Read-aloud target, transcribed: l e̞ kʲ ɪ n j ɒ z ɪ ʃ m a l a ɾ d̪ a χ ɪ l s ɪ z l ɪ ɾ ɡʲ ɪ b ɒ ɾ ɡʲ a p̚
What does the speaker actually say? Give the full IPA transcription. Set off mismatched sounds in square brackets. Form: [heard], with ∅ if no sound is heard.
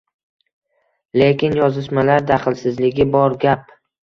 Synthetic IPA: l e̞ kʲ ɪ n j ɒ z ɪ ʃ m a l a ɾ d̪ a χ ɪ l s ɪ z l ɪ [∅] ɡʲ ɪ b ɒ ɾ ɡʲ a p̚